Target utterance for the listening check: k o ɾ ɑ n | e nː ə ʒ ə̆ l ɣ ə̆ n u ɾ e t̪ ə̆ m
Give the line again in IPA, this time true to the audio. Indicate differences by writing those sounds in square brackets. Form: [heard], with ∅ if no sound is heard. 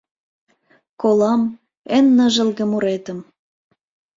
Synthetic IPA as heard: k o [l] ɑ [m] | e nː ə ʒ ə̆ l ɣ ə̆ [m] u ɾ e t̪ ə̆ m